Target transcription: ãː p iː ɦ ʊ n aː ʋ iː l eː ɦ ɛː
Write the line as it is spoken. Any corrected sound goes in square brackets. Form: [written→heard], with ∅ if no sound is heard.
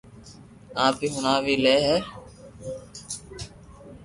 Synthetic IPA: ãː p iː ɦ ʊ n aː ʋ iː l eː ɦ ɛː